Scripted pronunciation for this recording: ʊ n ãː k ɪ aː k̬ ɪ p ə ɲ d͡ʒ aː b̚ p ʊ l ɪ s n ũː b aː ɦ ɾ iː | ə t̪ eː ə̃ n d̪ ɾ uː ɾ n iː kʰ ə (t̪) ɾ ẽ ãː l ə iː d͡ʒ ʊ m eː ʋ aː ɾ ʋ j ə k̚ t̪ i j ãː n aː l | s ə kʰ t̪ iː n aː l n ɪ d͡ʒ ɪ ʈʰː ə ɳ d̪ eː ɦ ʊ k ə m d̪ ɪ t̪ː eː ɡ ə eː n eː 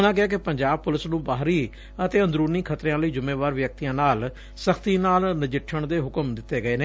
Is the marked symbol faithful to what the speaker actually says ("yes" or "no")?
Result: yes